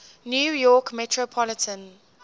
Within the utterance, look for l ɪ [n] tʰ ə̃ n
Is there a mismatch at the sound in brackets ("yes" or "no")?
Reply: yes